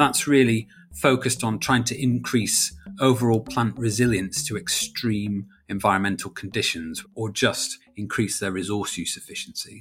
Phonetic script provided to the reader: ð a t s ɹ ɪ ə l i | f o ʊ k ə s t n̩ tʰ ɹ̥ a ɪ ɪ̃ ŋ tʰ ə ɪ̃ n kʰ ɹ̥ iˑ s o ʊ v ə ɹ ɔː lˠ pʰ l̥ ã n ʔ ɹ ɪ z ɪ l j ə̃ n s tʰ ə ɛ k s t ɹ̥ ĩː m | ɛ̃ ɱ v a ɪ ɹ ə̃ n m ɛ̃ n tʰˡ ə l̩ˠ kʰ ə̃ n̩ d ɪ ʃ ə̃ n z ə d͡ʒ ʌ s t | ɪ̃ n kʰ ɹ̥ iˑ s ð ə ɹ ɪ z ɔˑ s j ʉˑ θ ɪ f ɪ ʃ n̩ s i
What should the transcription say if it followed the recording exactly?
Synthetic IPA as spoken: ð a t s ɹ ɪ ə l i | f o ʊ k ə s t n̩ tʰ ɹ̥ a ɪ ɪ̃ ŋ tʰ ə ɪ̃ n kʰ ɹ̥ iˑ s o ʊ v ə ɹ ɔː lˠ pʰ l̥ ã n ʔ ɹ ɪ z ɪ l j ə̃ n s tʰ ə ɛ k s t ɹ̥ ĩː m | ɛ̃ ɱ v a ɪ ɹ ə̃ n m ɛ̃ n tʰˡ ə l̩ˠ kʰ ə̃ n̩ d ɪ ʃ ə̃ n z ə d͡ʒ ʌ s t | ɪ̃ n kʰ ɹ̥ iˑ s ð ə ɹ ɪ z ɔˑ s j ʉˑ s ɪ f ɪ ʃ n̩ s i